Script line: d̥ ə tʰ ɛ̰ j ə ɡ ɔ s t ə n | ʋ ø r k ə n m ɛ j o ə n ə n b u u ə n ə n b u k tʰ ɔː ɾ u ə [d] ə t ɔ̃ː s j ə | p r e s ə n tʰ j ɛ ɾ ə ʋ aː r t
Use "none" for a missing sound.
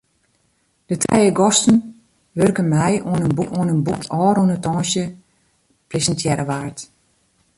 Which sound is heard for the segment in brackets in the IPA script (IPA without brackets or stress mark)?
n